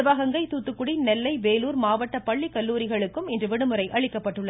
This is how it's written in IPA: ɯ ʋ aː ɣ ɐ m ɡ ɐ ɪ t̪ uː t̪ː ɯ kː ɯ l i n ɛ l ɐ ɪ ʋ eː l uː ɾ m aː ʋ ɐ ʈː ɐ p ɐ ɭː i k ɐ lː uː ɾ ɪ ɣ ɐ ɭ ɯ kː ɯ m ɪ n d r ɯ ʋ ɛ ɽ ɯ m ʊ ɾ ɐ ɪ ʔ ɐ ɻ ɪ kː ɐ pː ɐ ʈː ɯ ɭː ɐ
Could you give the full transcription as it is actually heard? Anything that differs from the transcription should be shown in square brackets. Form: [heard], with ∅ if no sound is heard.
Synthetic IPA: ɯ ʋ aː ɣ ɐ [ŋ] ɡ ɐ ɪ t̪ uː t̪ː ɯ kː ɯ [ɽ] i n ɛ [lː] ɐ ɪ ʋ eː l uː ɾ m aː ʋ ɐ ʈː ɐ p ɐ ɭː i k ɐ lː uː ɾ ɪ ɣ ɐ ɭ ɯ kː ɯ m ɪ n d r ɯ ʋ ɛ ɽ ɯ m [ɯ] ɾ ɐ ɪ ʔ ɐ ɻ ɪ kː ɐ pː ɐ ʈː ɯ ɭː ɐ